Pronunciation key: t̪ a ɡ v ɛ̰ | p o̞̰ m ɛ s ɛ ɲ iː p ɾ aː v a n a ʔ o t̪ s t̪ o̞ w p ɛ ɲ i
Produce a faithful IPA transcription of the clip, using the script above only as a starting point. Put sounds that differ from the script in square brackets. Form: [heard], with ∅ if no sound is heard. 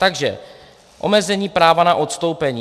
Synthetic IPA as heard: t̪ a ɡ [ʒ] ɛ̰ | [ʔ] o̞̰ m ɛ [z] ɛ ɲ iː p ɾ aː v a n a ʔ o t̪ s t̪ o̞ w p ɛ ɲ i